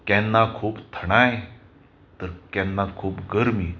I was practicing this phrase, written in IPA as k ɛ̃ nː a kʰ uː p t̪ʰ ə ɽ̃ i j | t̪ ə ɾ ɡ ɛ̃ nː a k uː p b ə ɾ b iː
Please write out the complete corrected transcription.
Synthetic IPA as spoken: k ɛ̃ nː a kʰ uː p t̪ʰ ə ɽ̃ a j | t̪ ə ɾ k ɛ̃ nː a kʰ uː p ɡ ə ɾ m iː